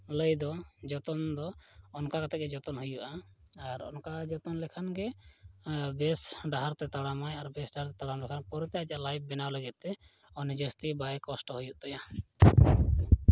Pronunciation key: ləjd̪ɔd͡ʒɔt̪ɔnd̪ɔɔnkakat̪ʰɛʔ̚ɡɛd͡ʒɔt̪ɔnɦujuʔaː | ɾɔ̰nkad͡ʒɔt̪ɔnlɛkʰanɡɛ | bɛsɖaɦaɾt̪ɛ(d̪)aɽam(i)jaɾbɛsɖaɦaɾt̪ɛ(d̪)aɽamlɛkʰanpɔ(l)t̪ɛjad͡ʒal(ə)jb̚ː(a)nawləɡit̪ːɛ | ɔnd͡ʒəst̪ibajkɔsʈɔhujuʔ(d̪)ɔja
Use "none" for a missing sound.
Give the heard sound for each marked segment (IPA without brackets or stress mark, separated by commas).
t̪, a, t̪, ɾ, a, ɛ, t̪